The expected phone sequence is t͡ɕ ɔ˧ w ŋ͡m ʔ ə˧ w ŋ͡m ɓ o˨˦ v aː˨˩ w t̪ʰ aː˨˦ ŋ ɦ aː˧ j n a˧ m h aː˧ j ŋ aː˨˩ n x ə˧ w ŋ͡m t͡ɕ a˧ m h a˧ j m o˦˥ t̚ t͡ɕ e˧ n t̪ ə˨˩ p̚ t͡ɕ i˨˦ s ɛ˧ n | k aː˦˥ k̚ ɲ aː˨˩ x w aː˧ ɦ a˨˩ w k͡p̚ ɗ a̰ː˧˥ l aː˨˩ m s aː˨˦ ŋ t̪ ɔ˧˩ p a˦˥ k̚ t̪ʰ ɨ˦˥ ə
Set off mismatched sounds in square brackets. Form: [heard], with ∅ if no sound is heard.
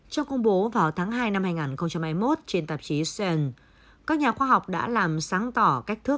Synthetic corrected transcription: t͡ɕ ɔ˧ w ŋ͡m [k] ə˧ w ŋ͡m ɓ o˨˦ v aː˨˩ w t̪ʰ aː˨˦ ŋ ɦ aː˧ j n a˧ m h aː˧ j ŋ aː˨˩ n x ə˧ w ŋ͡m t͡ɕ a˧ m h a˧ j m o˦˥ t̚ t͡ɕ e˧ n t̪ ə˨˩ p̚ t͡ɕ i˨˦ s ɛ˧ n | k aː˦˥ k̚ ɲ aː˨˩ x w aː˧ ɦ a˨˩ w k͡p̚ ɗ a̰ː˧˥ l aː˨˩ m s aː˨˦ ŋ t̪ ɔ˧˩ [k] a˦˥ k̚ t̪ʰ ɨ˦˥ ə